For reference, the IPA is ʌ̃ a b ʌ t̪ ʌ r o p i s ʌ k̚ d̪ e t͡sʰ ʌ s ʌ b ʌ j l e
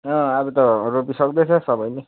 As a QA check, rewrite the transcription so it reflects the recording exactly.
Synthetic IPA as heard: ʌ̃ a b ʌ t̪ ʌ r o p i s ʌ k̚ d̪ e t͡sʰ ʌ s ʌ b ʌ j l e